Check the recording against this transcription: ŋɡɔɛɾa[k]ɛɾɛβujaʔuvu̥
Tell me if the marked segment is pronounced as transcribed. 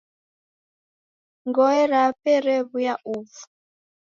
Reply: no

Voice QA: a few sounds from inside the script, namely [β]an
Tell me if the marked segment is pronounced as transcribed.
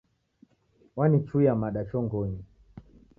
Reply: no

